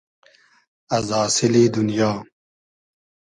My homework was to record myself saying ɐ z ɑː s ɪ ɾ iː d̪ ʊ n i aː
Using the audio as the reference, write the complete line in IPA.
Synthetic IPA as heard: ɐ z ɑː s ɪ l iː d̪ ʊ n j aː